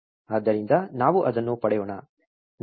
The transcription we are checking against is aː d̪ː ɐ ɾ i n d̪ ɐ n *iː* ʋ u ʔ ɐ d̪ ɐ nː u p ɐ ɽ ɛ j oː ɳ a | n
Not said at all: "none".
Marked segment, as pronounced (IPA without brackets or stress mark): aː